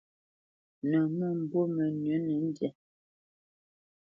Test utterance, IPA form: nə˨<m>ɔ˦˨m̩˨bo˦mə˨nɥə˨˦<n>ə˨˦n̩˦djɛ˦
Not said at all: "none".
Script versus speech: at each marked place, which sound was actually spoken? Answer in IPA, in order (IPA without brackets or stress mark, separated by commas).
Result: m, n